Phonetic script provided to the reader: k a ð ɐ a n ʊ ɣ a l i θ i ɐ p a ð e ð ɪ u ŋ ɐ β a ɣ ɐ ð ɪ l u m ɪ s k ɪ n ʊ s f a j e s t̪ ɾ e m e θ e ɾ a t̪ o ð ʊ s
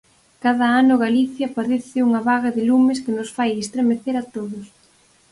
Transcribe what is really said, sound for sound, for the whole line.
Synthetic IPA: k a ð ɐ a n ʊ ɣ a l i θ j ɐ p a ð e θ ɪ u ŋ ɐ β a ɣ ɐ ð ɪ l u m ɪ s k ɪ n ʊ s f a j e s t̪ ɾ e m e θ e ɾ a t̪ o ð ʊ s